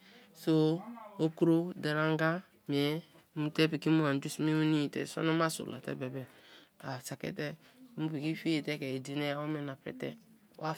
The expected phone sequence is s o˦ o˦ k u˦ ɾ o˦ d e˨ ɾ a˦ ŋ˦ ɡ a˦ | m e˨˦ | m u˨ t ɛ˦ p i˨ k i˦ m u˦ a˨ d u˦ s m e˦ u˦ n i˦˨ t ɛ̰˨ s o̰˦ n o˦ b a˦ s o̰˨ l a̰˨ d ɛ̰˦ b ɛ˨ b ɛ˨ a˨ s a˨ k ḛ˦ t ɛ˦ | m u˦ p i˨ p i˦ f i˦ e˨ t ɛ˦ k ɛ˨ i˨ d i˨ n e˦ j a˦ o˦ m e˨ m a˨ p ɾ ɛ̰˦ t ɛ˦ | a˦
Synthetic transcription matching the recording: s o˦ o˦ k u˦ ɾ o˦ d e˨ ɾ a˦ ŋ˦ ɡ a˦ | m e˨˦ | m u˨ t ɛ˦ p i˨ k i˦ m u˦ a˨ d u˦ s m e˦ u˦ n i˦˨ t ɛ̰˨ s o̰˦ n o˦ m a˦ s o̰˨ l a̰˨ t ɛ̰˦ b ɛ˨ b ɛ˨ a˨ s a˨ k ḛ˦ t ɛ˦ | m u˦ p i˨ k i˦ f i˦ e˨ t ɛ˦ k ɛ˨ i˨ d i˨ n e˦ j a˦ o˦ m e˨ n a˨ p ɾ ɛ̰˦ t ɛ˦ | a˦